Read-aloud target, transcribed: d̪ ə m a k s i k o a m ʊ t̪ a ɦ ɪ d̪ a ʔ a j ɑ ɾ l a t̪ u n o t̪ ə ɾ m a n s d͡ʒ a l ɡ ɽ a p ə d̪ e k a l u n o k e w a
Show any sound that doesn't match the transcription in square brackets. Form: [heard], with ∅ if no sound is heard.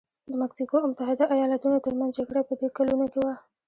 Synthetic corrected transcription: d̪ ə m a k s i k o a m ʊ t̪ a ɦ ɪ d̪ a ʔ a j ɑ [∅] l a t̪ u n o t̪ ə ɾ m a n [z] d͡ʒ a [∅] ɡ ɽ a p ə d̪ e k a l u n o k e w a